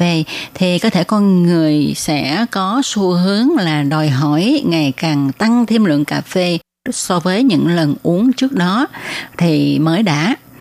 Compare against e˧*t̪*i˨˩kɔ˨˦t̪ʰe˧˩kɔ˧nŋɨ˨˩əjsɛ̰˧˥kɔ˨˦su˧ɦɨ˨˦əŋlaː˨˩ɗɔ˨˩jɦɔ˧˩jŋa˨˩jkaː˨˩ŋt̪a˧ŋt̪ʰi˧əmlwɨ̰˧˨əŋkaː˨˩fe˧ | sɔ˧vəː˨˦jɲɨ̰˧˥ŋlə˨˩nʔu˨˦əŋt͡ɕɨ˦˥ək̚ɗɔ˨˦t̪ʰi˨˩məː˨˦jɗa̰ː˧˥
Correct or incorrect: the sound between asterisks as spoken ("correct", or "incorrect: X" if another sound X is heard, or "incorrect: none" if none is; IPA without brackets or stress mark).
incorrect: t̪ʰ